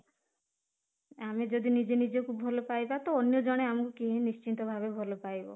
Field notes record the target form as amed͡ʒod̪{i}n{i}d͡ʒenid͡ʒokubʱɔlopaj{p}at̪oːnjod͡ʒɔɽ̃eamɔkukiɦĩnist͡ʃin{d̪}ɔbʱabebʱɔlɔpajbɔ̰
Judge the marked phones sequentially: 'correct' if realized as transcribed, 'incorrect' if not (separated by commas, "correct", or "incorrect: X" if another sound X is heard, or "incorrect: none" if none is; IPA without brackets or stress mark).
correct, correct, incorrect: b, incorrect: t̪